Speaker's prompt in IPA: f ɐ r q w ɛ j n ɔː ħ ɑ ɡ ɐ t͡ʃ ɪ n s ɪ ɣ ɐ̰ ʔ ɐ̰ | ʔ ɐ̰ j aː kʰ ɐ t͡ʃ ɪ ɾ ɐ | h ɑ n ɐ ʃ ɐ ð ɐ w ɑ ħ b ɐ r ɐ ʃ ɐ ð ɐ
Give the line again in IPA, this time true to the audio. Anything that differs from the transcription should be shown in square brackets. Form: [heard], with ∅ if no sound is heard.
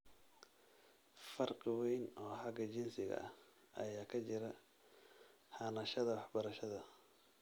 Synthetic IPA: f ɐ r q w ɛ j n ɔː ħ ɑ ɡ ɐ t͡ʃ ɪ n s ɪ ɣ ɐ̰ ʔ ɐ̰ | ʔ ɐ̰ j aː kʰ ɐ t͡ʃ ɪ ɾ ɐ | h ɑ n ɐ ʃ ɐ ð ɐ w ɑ ħ b ɐ [ɾ] ɐ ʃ ɐ ð ɐ